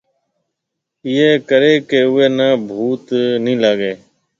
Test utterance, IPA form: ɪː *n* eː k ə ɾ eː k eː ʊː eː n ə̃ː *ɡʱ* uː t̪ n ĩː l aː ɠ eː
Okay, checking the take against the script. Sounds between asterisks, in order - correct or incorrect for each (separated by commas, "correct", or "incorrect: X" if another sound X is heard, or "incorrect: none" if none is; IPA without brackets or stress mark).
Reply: incorrect: none, incorrect: bʱ